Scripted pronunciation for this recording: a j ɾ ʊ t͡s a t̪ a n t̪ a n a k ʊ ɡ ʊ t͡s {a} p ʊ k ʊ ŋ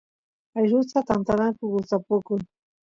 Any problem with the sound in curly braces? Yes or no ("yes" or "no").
no